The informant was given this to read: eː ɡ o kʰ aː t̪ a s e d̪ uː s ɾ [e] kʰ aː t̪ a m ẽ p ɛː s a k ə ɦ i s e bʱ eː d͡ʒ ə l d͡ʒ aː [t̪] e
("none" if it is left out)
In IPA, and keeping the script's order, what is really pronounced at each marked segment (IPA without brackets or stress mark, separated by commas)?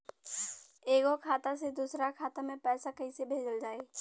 a, none